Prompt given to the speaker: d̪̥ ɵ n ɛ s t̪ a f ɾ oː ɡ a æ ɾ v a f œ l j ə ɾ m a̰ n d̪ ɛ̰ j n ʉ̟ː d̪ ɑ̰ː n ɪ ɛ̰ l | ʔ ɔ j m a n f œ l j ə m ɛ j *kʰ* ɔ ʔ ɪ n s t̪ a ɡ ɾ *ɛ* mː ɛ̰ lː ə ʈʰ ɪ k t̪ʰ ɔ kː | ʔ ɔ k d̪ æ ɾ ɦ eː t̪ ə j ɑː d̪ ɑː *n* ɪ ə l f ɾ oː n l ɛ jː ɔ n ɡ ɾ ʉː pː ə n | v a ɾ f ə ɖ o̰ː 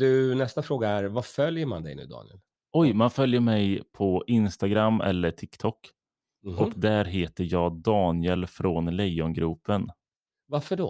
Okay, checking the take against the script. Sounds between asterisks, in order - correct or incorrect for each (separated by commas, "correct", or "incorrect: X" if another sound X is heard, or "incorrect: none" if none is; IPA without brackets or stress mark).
incorrect: pʰ, incorrect: a, correct